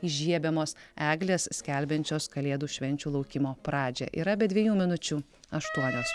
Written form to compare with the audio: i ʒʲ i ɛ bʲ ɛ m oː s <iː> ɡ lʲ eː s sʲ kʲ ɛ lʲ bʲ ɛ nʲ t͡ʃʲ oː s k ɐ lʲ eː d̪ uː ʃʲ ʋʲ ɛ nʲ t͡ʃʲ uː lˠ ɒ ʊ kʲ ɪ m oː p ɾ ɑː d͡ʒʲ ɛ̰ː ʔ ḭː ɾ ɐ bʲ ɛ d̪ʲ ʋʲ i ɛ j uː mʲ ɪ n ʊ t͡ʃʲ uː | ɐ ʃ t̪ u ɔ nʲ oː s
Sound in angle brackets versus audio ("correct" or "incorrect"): incorrect